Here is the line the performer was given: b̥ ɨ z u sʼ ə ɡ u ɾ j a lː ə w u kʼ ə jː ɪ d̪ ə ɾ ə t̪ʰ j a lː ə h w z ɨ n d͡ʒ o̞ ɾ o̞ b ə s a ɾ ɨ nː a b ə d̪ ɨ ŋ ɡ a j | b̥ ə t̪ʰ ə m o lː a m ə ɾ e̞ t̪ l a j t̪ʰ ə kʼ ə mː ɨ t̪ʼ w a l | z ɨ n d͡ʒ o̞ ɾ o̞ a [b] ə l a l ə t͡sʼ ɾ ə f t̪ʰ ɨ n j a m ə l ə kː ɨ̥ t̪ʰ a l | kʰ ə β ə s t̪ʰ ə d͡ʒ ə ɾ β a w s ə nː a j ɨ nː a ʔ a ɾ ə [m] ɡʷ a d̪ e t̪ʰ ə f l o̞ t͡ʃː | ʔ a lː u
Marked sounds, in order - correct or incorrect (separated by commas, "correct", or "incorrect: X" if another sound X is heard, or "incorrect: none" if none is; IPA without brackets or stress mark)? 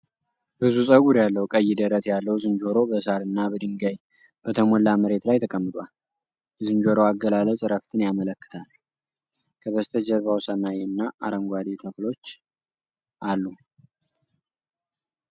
incorrect: ɡ, incorrect: ŋ